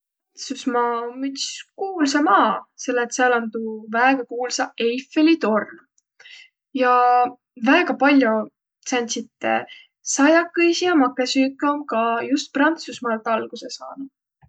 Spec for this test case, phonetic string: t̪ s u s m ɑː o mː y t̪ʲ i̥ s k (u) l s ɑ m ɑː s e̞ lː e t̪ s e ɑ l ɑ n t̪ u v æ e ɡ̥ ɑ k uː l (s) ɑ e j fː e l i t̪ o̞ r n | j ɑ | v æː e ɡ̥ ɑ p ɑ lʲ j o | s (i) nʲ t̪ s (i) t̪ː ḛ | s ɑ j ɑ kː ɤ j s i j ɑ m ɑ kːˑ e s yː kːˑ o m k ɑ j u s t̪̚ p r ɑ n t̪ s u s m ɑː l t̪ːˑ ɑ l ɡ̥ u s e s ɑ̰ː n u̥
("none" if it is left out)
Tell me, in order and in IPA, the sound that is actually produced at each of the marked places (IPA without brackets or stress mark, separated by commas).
uː, s, æ, i